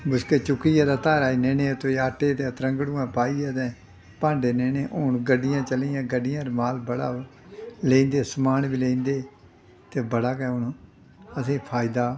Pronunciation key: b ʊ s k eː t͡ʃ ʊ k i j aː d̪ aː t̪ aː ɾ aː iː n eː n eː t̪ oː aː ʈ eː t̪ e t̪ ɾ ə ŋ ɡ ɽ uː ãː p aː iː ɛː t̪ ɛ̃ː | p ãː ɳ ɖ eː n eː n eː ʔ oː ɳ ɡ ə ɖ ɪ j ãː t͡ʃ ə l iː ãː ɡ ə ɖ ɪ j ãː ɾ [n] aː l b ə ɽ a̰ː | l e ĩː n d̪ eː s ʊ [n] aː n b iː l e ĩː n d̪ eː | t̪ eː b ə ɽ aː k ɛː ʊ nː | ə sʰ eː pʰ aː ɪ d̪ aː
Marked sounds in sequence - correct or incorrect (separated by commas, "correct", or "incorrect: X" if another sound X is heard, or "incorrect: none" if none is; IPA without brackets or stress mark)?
incorrect: m, incorrect: m